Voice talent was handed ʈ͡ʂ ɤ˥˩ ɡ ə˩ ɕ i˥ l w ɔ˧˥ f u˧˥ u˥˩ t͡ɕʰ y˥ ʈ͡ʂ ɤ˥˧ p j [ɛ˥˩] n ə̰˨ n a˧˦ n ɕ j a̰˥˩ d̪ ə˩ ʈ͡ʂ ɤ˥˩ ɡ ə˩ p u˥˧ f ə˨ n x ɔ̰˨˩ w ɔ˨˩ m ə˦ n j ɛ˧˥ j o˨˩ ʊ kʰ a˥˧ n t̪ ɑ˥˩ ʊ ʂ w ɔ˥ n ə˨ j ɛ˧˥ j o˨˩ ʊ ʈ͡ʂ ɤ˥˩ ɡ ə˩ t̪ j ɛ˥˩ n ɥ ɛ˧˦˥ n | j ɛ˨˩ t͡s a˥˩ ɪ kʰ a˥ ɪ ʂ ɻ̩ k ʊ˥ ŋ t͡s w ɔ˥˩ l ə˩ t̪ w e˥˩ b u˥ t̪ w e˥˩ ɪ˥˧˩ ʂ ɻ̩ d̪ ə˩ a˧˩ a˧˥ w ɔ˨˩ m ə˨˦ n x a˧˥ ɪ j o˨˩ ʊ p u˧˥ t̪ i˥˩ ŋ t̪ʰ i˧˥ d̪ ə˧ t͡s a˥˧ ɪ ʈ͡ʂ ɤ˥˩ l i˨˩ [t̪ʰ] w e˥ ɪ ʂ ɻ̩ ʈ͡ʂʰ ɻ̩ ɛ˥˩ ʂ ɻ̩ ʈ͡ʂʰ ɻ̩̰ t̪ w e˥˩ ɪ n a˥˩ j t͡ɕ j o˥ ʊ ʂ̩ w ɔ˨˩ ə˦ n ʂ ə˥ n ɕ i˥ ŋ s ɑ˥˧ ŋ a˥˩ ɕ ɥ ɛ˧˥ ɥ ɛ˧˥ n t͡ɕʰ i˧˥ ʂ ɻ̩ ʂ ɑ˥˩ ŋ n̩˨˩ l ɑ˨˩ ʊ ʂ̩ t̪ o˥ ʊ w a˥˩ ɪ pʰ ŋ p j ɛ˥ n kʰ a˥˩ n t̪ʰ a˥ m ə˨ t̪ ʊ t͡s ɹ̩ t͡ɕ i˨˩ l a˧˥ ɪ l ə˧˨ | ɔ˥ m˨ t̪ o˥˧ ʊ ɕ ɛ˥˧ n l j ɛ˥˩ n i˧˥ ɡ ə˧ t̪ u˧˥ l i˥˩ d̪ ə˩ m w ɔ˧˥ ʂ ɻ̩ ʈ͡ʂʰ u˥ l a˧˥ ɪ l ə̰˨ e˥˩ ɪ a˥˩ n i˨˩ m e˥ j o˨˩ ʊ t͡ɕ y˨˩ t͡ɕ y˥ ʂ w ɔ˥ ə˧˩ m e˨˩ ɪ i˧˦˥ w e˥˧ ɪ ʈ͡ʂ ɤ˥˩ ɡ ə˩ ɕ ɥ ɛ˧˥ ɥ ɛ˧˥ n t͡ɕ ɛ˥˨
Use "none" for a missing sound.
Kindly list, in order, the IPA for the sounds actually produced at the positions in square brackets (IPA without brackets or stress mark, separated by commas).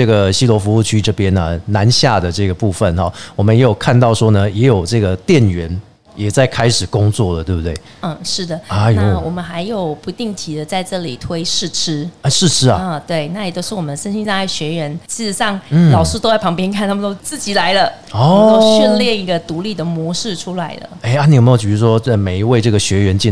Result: ɛ˥, t̪ʰ